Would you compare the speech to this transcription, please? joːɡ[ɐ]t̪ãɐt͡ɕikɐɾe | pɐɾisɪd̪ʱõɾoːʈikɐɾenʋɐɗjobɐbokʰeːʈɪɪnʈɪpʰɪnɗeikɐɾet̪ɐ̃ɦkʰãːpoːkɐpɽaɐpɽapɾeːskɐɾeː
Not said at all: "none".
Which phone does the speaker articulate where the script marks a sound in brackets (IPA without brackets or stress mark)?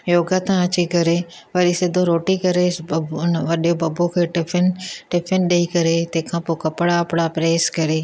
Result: a